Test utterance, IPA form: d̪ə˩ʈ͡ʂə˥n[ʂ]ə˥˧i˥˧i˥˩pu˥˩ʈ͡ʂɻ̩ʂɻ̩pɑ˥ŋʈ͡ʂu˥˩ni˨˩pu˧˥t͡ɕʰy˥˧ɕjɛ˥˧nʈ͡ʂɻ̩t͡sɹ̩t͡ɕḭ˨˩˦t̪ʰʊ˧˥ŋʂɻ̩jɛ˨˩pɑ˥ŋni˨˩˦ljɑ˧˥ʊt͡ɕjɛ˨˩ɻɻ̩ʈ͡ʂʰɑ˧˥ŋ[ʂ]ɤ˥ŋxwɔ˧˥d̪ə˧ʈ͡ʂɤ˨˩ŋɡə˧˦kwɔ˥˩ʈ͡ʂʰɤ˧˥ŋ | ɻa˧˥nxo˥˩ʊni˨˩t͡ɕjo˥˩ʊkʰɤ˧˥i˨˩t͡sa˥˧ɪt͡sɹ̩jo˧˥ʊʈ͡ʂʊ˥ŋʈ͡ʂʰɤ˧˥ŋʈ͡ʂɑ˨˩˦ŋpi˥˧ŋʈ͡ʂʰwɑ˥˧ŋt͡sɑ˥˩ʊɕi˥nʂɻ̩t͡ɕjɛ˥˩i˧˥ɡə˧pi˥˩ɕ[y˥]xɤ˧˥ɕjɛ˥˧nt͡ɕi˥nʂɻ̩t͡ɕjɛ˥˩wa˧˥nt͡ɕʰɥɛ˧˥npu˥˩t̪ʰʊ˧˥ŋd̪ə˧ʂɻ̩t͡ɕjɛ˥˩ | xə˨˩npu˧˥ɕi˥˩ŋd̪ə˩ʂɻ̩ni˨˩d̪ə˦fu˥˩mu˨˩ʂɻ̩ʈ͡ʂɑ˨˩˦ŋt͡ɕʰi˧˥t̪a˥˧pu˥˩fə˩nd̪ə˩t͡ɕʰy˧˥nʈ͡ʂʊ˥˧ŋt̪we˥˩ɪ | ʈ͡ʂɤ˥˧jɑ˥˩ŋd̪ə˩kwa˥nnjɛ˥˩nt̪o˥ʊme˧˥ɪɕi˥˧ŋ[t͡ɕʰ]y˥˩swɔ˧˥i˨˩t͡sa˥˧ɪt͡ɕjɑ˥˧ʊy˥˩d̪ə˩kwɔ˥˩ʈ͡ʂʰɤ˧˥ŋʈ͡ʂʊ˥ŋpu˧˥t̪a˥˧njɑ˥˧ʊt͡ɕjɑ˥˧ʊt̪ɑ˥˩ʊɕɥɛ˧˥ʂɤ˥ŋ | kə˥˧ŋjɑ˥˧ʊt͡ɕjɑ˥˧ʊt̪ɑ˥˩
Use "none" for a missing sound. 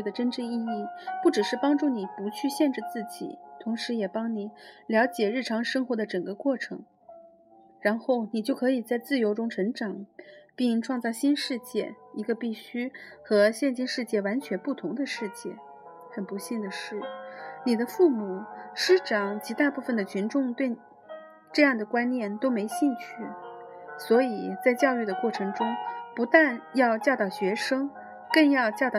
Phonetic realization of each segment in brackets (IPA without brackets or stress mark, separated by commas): ʈ͡ʂ, ʂ, y˥, t͡ɕʰ